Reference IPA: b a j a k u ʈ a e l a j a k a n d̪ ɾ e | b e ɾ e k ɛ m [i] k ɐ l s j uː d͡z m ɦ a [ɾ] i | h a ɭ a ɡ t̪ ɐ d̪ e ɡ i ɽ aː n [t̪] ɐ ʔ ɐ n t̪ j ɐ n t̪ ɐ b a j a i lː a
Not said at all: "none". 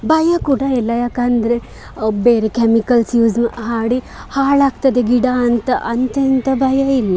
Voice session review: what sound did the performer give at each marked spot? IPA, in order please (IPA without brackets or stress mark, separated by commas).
i, ɽ, t̪